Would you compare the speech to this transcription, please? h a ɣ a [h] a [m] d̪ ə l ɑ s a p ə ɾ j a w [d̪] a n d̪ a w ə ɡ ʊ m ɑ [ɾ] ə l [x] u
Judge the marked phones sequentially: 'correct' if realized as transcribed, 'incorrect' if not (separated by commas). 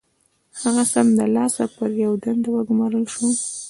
incorrect, correct, correct, correct, incorrect